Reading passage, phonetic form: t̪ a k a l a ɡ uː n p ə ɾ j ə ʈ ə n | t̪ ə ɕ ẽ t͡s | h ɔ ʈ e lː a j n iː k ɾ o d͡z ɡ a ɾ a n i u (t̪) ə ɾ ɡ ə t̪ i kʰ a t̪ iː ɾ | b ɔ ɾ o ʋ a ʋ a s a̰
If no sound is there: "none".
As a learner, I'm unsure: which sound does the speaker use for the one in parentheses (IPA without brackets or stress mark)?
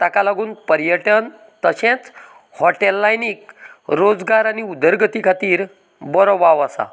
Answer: d̪